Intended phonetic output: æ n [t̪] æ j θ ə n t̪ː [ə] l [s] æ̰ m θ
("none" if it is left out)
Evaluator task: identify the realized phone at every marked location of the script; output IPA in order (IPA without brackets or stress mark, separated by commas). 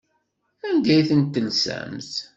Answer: d̪, ə, s